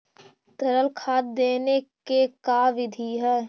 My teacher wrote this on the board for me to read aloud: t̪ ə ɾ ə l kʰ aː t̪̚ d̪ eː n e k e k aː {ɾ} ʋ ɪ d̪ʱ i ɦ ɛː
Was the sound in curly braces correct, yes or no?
no